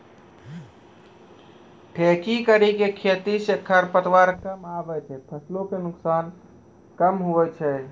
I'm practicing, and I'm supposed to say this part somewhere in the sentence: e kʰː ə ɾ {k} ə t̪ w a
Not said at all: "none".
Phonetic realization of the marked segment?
p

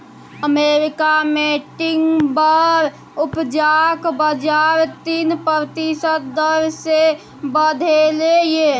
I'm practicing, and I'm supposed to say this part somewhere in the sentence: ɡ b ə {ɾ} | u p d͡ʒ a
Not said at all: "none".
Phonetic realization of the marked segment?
ɾ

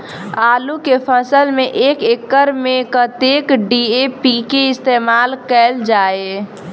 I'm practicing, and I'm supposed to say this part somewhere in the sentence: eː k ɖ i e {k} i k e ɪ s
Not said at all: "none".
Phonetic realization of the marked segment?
p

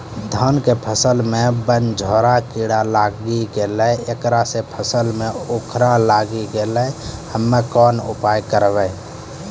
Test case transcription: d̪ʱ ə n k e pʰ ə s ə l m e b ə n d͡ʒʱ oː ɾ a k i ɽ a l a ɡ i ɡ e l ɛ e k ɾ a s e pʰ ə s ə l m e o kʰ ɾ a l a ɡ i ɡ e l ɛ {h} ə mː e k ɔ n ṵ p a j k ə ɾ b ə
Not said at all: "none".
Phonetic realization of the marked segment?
h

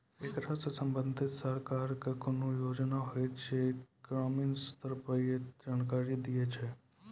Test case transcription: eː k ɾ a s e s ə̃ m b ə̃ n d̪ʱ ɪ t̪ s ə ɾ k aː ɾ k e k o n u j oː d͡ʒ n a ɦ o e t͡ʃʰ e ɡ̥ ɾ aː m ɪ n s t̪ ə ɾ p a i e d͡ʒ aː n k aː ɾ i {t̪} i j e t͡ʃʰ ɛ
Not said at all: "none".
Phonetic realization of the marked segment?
d̪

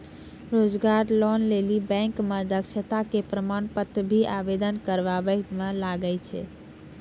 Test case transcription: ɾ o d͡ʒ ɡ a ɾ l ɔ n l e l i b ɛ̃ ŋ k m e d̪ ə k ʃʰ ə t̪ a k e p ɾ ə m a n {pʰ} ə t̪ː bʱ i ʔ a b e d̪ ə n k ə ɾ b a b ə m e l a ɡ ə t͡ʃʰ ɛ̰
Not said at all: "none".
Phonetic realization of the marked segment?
p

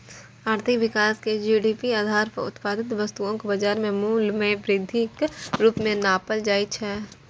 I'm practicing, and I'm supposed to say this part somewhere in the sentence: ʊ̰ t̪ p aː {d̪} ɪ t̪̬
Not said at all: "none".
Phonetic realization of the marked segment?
d̪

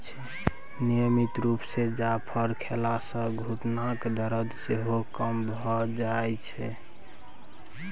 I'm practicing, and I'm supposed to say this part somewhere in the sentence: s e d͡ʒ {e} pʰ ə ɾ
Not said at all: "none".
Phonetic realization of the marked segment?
a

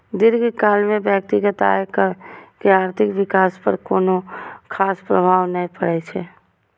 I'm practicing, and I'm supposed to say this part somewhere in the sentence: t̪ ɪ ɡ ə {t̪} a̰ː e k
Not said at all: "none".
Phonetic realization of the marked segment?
t̪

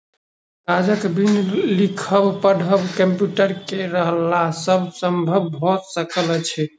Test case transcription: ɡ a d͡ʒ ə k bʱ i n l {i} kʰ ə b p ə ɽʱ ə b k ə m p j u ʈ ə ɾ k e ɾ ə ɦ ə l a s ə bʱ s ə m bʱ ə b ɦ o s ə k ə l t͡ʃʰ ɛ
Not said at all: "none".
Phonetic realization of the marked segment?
i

